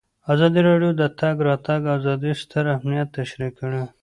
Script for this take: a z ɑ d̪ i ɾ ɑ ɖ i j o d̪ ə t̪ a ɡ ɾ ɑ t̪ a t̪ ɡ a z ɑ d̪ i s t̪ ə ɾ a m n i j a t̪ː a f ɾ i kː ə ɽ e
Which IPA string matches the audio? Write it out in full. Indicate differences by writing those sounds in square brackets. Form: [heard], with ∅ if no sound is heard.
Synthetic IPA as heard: a z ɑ d̪ i ɾ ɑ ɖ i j o d̪ ə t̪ a ɡ ɾ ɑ t̪ a [∅] ɡ a z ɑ d̪ i s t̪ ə ɾ a m n i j a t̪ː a [ʃ] ɾ i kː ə ɽ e